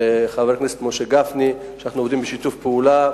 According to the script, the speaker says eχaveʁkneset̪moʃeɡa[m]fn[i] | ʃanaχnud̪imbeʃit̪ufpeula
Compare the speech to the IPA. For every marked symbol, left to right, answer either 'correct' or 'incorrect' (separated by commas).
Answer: incorrect, correct